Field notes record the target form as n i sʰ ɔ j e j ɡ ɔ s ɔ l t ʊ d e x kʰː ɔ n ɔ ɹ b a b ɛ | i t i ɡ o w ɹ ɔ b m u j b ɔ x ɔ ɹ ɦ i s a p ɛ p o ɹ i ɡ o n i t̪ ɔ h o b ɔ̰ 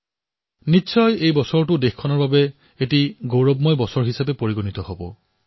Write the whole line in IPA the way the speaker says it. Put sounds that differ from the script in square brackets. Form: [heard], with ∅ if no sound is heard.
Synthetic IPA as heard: n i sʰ ɔ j e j [b] ɔ s ɔ [ɹ] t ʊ d e x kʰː ɔ n ɔ ɹ b a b ɛ | [e] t i ɡ o w ɹ ɔ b m [ɔ] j b ɔ [s] ɔ ɹ ɦ i s a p ɛ p o ɹ i ɡ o n i t̪ ɔ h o b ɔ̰